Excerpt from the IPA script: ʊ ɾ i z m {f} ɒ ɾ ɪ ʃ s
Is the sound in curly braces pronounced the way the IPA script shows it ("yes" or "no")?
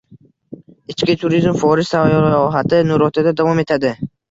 yes